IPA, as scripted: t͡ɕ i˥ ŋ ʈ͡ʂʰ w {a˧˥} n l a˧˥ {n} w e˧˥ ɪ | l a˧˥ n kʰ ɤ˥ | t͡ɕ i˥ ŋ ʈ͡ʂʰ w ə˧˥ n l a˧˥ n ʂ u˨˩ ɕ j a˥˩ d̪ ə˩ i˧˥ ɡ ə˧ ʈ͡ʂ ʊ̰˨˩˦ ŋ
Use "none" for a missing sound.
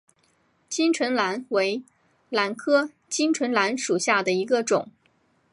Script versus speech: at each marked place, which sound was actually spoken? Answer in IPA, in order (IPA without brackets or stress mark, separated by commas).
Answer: ə˧˥, n